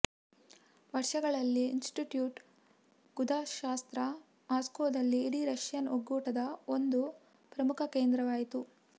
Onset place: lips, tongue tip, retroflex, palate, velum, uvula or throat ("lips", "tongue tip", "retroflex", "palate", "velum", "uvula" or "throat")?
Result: lips